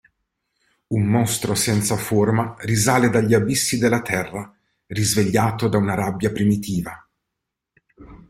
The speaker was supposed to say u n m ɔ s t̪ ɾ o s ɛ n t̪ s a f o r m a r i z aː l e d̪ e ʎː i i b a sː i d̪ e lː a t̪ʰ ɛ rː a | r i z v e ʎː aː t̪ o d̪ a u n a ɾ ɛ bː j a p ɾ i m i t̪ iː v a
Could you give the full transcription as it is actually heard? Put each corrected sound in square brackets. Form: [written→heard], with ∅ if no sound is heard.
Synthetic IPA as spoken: u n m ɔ s t̪ ɾ o s ɛ n t̪ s a f o r m a r i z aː l e d̪ [e→a] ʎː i [i→a] b [a→i] sː i d̪ e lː a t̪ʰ ɛ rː a | r i z v e ʎː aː t̪ o d̪ a u n a ɾ [ɛ→a] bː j a p ɾ i m i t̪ iː v a